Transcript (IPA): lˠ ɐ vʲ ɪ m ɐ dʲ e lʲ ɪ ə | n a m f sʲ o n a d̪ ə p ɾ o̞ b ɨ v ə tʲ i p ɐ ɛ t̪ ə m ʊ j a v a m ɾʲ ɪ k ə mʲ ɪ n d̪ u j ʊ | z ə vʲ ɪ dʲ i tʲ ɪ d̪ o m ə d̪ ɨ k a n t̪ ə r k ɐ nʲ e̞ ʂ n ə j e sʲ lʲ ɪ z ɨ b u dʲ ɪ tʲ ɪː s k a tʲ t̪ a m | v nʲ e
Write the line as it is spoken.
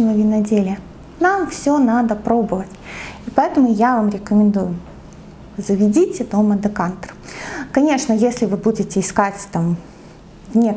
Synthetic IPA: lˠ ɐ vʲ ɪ n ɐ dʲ e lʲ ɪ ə | n a m f sʲ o n a d̪ ə p ɾ o̞ b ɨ v ə tʲ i p ɐ ɛ t̪ ə m ʊ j a v a m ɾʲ ɪ k ə mʲ ɪ n d̪ u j ʊ | z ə vʲ ɪ dʲ i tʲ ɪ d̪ o m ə d̪ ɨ k a n t̪ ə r k ɐ nʲ e̞ ʂ n ə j e sʲ lʲ ɪ v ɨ b u dʲ ɪ tʲ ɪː s k a tʲ t̪ a m | v nʲ e